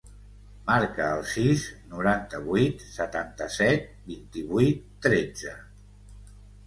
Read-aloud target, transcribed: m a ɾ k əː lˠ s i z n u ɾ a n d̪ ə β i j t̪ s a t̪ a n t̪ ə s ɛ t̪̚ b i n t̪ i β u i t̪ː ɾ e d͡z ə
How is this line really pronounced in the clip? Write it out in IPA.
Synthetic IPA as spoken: m a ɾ k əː lˠ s i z n u ɾ a n t̪ ə β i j t̪ s ə t̪ a n t̪ ə s ɛ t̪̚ b i n t̪ i β u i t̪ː ɾ e d͡z ə